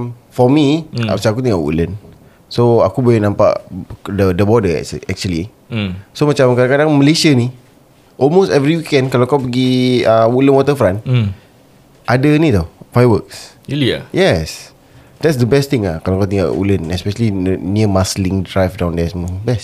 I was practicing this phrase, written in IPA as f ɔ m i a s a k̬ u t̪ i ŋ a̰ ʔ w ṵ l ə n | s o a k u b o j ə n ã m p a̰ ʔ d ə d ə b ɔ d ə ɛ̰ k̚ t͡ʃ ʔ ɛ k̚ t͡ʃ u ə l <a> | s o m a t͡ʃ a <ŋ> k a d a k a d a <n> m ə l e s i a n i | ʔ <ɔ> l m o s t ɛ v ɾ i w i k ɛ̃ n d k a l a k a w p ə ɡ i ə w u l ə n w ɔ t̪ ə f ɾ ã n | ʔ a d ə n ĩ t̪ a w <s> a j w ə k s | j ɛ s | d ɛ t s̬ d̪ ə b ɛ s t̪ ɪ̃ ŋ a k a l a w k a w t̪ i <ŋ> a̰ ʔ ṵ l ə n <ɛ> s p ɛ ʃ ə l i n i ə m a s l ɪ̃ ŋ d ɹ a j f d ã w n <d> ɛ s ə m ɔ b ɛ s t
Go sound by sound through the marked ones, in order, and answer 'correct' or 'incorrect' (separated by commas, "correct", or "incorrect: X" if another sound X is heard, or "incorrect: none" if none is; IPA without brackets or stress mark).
incorrect: i, incorrect: m, incorrect: ŋ, correct, incorrect: f, correct, correct, correct